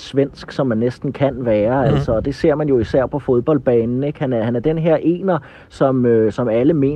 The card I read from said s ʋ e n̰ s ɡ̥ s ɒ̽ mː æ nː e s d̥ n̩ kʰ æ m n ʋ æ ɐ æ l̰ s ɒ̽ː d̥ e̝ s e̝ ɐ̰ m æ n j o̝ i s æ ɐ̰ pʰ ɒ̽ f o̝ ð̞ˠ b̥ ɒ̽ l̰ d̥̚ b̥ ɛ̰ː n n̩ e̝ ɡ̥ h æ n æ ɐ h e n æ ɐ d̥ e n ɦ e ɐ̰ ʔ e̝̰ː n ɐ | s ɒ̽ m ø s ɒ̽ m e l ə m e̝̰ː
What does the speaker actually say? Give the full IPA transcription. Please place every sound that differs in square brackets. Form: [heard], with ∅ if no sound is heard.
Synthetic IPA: s ʋ e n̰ s ɡ̥ s ɒ̽ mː æ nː e s d̥ n̩ kʰ æ [∅] n ʋ [æː] ɐ æ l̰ s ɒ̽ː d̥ e̝ s e̝ ɐ̰ m æ n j o̝ i s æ ɐ̰ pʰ ɒ̽ f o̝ ð̞ˠ b̥ ɒ̽ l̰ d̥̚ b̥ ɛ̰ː n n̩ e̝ ɡ̥ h æ n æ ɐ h [æ] n æ ɐ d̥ e n ɦ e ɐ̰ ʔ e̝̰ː n ɐ | s ɒ̽ m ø s ɒ̽ m [æ] l ə m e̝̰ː